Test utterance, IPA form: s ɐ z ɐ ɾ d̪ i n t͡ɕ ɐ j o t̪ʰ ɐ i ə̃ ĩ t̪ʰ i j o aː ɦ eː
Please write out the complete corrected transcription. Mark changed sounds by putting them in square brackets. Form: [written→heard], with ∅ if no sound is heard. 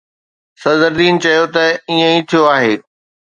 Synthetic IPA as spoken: s ɐ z [ɐ→ə] ɾ d̪ [i→iː] n t͡ɕ ɐ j o [t̪ʰ→t̪] ɐ i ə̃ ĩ t̪ʰ i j o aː ɦ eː